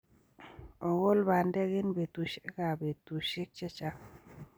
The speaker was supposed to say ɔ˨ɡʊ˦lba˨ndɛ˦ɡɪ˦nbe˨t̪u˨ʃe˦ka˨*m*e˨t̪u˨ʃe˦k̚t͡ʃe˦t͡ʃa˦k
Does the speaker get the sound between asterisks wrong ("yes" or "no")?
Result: yes